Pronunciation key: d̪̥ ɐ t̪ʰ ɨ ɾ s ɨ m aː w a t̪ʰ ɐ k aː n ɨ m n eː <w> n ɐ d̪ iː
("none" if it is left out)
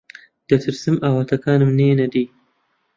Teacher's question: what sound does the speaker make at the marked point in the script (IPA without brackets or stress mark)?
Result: none